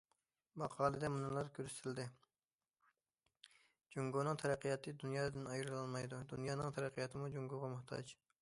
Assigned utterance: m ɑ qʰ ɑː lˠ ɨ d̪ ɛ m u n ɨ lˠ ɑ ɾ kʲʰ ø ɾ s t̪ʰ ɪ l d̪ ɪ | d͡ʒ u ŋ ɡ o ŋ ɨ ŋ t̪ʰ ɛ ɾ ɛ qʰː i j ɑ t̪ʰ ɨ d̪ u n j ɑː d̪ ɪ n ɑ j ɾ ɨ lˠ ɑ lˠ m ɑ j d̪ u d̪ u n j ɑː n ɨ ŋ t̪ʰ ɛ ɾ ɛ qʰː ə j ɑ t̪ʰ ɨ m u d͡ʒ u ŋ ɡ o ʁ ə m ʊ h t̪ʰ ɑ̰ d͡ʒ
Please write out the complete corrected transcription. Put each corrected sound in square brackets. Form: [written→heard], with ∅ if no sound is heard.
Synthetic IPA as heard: m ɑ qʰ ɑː lˠ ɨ d̪ ɛ m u n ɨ lˠ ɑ ɾ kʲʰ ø ɾ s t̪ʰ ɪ l d̪ ɪ | d͡ʒ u ŋ ɡ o [ŋ→n] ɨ ŋ t̪ʰ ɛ ɾ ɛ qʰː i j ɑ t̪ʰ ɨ d̪ u n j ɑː d̪ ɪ n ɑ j ɾ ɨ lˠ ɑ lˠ m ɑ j d̪ u d̪ u n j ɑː n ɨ ŋ t̪ʰ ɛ ɾ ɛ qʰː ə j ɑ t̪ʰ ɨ m u d͡ʒ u ŋ ɡ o ʁ [ə→ɑ] m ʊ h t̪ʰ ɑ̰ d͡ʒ